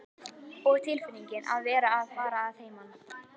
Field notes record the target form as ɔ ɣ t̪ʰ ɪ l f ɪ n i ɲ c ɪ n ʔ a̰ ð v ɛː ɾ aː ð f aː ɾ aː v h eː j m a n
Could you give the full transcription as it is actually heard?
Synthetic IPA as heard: ɔ ɣ t̪ʰ ɪ l f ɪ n i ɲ c ɪ n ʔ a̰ ð v ɛː ɾ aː ð f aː ɾ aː ð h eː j m a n

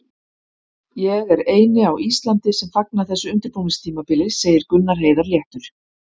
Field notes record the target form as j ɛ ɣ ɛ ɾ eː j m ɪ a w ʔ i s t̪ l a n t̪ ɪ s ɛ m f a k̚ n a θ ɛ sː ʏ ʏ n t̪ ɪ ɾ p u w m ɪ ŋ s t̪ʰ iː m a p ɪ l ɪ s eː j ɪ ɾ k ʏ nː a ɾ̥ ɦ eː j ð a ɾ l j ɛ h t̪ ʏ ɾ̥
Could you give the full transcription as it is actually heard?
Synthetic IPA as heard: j ɛ ɣ ɛ ɾ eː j n ɪ a w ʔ i s t̪ l a n t̪ ɪ s ɛ m f a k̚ n a θ ɛ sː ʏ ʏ n t̪ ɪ ɾ p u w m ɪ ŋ s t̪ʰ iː m a p ɪ l ɪ s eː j ɪ ɾ k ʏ nː a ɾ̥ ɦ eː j ð a ɾ l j ɛ h t̪ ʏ ɾ̥

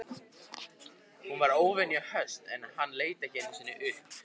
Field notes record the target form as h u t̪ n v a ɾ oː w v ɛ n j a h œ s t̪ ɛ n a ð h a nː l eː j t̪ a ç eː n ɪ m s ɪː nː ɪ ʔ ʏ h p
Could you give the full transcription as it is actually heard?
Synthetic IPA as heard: h u n v a ɾ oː w v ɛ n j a h œ s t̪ ɛ n a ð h a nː l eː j t̪ a ç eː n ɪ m s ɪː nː ɪ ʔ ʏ h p

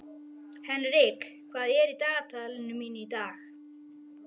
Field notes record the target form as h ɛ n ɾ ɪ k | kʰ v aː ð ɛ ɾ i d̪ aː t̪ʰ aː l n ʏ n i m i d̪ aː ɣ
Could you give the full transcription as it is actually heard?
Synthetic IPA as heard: h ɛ n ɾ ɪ k | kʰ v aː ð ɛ ɾ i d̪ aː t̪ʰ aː l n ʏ m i n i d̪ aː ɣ

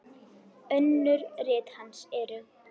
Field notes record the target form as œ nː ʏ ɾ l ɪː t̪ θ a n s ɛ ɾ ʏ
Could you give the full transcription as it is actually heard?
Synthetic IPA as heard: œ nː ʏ ɾ r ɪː t̪ h a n s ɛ ɾ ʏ

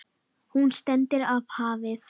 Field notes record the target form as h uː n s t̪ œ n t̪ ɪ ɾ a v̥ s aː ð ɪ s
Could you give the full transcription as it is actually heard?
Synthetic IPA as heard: h u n s t̪ ɛ n t̪ ɪ ɾ a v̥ h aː v ɪ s

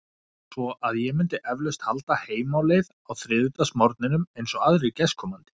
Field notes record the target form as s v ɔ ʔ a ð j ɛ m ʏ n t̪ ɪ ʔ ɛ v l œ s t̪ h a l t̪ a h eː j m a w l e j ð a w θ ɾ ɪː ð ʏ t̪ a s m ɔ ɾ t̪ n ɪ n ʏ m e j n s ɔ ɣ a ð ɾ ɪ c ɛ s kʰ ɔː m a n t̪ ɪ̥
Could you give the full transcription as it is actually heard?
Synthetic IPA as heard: s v ɔ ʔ a ð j ɛ m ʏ n t̪ ɪ ʔ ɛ v l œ s t̪ h a l t̪ a h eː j m a w l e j ð a w θ ɾ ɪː ð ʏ t̪ a s m ɔ ɾ t̪ n ɪ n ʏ m e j n s ɔ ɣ a ð ɾ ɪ c ɛ s kʰ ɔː m a n t̪ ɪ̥

